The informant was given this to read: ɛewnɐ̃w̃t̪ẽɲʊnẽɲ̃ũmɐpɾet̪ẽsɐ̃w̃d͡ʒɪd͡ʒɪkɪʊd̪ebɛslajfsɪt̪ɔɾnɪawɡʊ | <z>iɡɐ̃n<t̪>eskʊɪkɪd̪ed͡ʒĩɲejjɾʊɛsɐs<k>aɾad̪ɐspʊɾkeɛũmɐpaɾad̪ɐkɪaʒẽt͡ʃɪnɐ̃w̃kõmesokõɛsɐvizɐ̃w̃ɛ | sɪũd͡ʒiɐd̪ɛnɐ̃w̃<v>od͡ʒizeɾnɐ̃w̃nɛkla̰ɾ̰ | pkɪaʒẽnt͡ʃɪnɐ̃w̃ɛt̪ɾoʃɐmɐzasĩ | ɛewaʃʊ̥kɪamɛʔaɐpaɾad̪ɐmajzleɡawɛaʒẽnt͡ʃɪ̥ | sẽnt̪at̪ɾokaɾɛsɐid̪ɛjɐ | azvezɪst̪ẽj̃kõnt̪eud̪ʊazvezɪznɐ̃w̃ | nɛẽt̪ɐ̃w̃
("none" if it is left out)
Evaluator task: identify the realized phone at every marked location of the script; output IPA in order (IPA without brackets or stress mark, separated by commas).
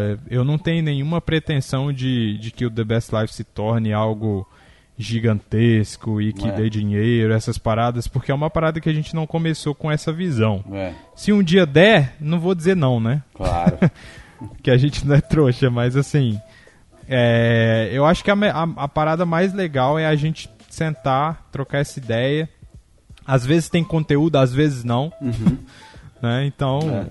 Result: ʒ, t̪, p, v